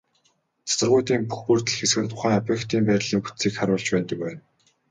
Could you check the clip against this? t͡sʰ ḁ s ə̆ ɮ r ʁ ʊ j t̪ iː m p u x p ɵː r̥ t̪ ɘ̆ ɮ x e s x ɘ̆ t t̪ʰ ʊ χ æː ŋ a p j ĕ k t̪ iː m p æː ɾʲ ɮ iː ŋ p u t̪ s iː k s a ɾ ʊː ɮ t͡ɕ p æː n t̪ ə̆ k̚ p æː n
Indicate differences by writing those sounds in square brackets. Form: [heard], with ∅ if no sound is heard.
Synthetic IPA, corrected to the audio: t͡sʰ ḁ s ə̆ [∅] r ʁ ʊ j t̪ iː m p u x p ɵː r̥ t̪ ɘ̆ ɮ x e s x ɘ̆ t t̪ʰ ʊ χ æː ŋ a p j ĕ k t̪ iː m p æː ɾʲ ɮ iː ŋ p u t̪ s iː k [χ] a ɾ ʊː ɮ t͡ɕ p æː n t̪ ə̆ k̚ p æː n